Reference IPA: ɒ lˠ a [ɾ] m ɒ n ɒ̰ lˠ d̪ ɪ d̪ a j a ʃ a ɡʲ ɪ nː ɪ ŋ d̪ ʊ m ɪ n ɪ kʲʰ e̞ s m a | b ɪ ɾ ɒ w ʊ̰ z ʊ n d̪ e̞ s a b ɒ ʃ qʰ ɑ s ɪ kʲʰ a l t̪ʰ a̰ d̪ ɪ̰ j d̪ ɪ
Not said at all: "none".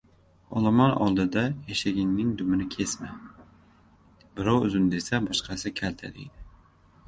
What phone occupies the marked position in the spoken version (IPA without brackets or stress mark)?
none